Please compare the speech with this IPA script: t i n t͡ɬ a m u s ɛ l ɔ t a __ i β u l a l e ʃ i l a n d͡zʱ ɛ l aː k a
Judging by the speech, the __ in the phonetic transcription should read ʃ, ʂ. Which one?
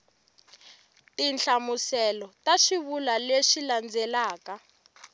ʃ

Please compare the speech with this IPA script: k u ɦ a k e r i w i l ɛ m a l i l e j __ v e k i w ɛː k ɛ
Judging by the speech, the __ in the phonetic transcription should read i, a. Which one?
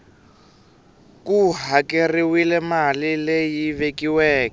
i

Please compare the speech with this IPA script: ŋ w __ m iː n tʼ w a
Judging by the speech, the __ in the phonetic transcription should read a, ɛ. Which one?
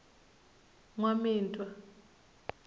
a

